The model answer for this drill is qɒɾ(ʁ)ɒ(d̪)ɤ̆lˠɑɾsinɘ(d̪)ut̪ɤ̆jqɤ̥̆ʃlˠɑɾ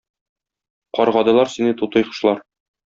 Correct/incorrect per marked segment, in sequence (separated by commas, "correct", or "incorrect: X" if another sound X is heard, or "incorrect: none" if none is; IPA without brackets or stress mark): correct, correct, incorrect: t̪